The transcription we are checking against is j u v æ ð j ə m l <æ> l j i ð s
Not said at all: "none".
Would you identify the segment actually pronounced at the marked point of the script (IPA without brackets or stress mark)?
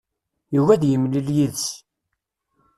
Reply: i